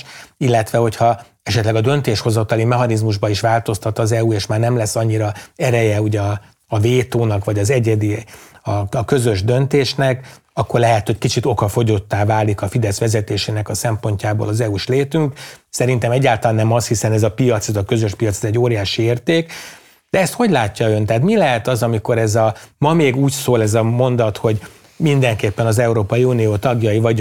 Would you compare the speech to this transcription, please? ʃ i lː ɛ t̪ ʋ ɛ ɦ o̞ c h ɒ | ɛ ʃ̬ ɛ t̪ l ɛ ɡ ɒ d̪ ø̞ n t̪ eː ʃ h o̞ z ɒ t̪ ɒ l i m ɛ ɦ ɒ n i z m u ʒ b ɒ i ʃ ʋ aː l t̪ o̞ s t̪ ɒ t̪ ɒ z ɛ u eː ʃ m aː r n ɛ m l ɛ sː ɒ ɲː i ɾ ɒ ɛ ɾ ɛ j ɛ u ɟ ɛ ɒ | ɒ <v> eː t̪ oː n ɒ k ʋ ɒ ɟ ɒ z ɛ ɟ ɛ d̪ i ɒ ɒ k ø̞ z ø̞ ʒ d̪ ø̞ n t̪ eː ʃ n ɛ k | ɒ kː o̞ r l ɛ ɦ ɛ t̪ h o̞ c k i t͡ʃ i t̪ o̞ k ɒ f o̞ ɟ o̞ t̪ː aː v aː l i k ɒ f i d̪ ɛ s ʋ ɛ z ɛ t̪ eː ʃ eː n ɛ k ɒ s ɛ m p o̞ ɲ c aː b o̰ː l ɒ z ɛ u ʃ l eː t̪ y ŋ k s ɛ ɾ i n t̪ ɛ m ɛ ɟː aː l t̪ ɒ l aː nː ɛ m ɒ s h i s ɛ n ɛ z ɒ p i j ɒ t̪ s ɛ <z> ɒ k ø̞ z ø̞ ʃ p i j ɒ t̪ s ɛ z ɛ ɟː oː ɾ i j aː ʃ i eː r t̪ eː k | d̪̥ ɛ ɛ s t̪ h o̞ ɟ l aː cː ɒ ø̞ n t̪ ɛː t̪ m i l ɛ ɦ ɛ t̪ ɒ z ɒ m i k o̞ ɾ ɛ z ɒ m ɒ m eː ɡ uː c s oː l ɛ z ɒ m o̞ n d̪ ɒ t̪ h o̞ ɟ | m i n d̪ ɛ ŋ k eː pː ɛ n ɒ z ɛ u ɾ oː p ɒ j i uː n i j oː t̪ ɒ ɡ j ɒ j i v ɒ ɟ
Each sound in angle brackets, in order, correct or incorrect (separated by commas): correct, correct